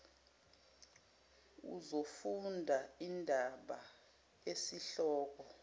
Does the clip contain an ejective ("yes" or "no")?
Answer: no